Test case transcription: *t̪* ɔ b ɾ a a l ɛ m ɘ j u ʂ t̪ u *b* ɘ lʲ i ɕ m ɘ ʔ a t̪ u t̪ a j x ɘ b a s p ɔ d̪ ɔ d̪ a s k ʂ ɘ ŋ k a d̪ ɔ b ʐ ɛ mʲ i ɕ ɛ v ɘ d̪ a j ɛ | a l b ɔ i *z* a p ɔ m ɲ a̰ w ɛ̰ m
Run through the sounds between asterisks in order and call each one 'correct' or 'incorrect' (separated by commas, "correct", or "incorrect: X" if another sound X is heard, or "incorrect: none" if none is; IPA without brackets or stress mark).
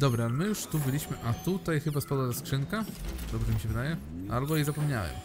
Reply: incorrect: d̪, correct, correct